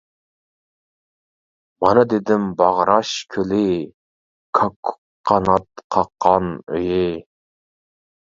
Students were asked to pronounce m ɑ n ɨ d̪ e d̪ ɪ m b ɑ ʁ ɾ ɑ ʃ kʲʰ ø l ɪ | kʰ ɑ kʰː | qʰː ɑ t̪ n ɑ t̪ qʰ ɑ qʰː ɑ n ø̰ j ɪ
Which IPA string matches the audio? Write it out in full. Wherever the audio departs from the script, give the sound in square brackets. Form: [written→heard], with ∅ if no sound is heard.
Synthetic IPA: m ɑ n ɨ d̪ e d̪ ɪ m b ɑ ʁ ɾ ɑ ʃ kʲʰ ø l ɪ | kʰ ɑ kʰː | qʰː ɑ [t̪→∅] n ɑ t̪ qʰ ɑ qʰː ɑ n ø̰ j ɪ